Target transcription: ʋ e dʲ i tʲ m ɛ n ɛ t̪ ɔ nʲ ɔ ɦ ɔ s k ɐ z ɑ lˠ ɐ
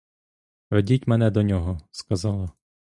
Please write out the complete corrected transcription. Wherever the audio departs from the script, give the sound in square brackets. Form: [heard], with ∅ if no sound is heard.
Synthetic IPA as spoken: ʋ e dʲ i tʲ m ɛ n ɛ [d̪] ɔ nʲ ɔ ɦ ɔ s k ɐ z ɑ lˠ ɐ